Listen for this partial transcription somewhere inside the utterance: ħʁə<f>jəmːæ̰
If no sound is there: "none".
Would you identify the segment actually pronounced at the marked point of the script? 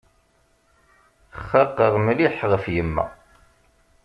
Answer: f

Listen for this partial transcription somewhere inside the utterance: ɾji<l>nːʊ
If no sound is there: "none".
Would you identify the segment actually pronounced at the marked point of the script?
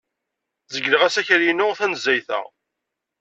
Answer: none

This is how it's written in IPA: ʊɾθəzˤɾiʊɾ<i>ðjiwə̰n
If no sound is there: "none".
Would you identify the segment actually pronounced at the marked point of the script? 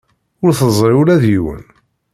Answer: æ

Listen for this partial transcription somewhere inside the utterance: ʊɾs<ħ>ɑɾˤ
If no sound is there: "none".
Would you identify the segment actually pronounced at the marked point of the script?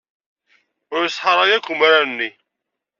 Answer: ħ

